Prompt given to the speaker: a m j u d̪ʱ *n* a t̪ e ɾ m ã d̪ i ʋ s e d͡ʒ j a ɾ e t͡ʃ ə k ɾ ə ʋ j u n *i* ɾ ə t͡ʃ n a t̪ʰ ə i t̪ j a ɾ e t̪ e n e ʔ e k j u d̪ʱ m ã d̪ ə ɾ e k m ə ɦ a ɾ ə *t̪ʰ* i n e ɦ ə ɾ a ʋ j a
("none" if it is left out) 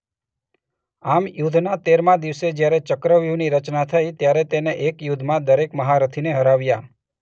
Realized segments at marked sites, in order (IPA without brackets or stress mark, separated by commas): n, i, t̪ʰ